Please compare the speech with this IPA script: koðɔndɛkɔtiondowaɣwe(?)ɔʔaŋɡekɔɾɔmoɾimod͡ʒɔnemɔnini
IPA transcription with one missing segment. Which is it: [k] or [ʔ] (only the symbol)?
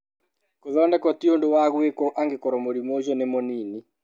k